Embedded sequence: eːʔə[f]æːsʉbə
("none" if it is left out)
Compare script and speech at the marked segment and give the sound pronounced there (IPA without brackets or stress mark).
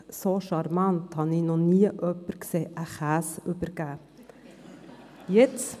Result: χ